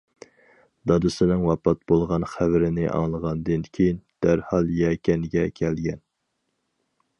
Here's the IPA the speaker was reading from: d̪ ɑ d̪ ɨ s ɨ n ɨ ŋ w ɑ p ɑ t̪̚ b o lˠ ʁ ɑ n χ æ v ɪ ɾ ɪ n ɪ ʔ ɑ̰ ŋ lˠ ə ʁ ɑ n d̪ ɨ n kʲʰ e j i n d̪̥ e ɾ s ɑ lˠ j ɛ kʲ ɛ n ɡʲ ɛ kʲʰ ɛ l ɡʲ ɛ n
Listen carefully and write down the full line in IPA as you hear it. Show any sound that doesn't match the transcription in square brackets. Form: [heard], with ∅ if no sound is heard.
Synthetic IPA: d̪ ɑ d̪ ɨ s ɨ n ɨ ŋ w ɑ p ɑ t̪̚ b o lˠ ʁ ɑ n χ æ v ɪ ɾ ɪ n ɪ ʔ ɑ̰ ŋ lˠ ə ʁ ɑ n d̪ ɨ n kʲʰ e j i n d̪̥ [æ] ɾ [h] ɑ lˠ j ɛ kʲ ɛ n ɡʲ ɛ kʲʰ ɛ l ɡʲ ɛ n

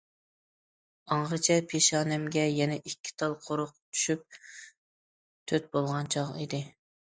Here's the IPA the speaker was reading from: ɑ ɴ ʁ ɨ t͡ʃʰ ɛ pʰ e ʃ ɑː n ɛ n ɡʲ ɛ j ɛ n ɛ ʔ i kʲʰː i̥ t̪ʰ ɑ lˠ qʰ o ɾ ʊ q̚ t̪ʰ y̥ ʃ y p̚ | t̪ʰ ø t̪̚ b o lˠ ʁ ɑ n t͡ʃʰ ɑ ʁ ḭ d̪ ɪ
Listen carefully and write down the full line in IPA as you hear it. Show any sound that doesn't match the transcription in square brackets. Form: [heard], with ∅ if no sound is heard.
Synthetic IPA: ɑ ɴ ʁ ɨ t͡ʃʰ ɛ pʰ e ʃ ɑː n ɛ [m] ɡʲ ɛ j ɛ n ɛ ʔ i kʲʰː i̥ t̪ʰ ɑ lˠ qʰ o ɾ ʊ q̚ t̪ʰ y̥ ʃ y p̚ | t̪ʰ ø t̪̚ b o lˠ ʁ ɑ n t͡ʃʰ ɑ ʁ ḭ d̪ ɪ

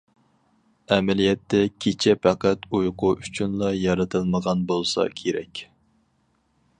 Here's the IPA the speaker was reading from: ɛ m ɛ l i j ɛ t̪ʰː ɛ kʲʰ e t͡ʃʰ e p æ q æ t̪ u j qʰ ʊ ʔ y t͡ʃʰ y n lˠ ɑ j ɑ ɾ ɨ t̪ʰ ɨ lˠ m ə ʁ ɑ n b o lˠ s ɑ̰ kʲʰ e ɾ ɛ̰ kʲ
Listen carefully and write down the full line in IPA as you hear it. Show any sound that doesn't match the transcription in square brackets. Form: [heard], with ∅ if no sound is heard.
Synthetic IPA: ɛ m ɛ l i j ɛ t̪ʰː ɛ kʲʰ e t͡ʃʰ [ɛ] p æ q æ t̪ u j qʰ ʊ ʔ y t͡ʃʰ y n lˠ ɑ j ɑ ɾ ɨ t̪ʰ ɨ lˠ m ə ʁ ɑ n b o lˠ s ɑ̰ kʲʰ e ɾ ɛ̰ kʲ

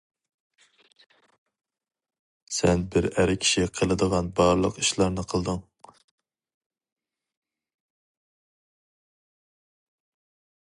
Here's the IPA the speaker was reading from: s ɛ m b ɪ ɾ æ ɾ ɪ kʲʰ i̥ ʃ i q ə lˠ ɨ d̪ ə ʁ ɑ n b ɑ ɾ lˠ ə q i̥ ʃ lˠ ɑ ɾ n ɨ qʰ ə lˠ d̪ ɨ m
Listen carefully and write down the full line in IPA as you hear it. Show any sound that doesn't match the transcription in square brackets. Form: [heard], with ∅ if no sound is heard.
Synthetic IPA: s ɛ [n] b ɪ ɾ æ ɾ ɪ kʲʰ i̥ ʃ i [qʰ] ə lˠ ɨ d̪ ə ʁ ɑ n b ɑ ɾ lˠ ə q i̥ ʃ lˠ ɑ ɾ n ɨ qʰ ə lˠ d̪ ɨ [ŋ]

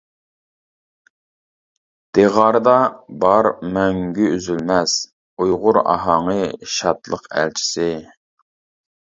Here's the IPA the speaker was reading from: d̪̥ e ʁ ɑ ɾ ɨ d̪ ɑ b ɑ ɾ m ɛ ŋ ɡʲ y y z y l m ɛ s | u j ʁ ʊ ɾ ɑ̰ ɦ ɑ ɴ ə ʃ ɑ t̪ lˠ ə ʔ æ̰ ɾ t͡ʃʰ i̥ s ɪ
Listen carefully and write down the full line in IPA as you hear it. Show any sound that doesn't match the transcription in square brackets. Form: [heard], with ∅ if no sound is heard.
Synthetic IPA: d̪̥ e ʁ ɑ ɾ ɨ d̪ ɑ b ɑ ɾ m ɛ ŋ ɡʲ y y z y l m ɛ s | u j ʁ ʊ ɾ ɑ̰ ɦ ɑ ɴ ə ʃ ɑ t̪ lˠ ə [q] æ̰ [l] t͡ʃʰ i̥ s ɪ

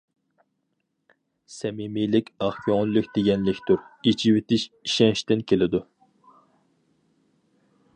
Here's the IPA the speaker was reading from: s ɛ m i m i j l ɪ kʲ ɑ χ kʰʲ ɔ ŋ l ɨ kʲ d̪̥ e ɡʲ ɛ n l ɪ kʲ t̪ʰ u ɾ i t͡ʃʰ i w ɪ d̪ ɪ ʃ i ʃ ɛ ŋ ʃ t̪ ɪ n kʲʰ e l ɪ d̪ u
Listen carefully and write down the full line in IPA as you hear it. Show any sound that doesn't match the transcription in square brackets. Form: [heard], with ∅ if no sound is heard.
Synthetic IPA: s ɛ m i m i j l ɪ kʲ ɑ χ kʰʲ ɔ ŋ l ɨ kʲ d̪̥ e ɡʲ ɛ n l ɪ kʲ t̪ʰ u ɾ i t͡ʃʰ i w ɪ [t̪] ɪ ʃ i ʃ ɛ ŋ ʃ t̪ ɪ n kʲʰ e l ɪ d̪ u

